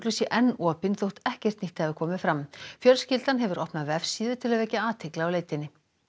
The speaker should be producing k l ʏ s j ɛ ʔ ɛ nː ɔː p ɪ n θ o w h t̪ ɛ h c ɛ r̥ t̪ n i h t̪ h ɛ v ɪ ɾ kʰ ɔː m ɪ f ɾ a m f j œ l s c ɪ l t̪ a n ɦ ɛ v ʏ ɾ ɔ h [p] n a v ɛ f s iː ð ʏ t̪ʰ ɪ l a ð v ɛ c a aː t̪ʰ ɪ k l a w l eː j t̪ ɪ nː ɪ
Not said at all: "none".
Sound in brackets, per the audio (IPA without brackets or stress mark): p